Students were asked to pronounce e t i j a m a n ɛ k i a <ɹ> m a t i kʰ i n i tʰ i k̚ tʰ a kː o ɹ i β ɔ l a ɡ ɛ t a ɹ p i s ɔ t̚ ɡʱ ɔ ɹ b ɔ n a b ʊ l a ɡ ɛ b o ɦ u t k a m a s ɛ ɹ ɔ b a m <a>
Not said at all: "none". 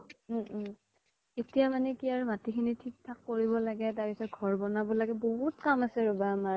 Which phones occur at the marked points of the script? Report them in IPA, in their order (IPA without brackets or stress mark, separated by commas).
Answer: ɹ, a